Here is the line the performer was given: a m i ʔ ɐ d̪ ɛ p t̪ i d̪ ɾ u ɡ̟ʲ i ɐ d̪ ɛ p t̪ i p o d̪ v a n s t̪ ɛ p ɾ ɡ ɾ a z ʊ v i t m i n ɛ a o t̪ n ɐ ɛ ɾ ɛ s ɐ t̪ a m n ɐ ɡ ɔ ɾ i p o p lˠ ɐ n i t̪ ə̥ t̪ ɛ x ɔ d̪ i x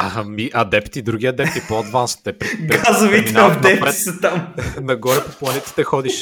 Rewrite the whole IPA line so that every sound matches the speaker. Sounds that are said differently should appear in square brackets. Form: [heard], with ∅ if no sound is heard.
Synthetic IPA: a m i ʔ ɐ d̪ ɛ p t̪ i d̪ ɾ u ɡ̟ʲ i ɐ d̪ ɛ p t̪ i p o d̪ v a n s t̪ ɛ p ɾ ɡ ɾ a z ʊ v i t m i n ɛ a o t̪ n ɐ ɛ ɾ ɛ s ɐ t̪ a m n ɐ ɡ ɔ ɾ [ɛ] p o p lˠ ɐ n [ɛ] t̪ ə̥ t̪ ɛ x ɔ d̪ i [ʃ]